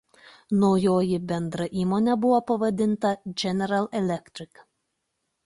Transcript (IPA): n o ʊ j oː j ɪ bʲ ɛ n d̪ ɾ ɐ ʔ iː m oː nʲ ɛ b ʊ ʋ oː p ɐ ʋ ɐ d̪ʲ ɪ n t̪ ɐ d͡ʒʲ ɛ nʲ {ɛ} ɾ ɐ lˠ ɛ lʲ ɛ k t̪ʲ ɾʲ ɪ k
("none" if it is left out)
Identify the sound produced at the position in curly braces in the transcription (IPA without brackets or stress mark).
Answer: ɛ